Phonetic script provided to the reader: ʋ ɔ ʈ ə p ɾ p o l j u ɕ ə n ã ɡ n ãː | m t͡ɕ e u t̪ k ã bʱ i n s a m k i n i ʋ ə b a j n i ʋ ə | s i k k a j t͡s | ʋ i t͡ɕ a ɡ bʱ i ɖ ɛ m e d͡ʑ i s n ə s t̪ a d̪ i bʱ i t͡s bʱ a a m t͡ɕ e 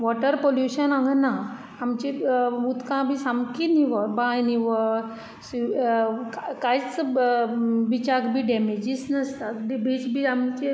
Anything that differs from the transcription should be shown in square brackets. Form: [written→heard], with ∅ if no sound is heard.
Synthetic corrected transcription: ʋ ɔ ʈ ə [p→∅] ɾ p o l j u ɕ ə n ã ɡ n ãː | m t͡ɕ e u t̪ k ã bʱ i [n→∅] s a m k i n i ʋ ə b a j n i ʋ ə | s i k k a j t͡s | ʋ i t͡ɕ a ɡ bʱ i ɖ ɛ m e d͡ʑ i s n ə s t̪ a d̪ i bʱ i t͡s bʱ [a→i] a m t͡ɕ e